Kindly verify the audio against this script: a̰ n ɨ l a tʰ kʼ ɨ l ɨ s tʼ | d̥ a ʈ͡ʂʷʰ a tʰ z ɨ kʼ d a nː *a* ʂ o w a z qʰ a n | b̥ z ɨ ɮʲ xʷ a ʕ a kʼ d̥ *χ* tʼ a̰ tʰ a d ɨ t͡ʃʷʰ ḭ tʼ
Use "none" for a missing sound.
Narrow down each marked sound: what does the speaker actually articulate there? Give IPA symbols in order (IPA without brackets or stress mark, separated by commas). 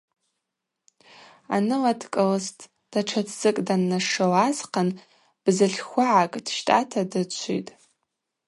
a, ʃ